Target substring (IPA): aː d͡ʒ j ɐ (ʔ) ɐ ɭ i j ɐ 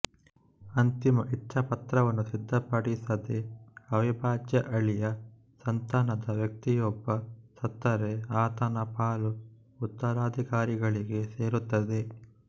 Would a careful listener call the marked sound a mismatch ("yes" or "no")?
no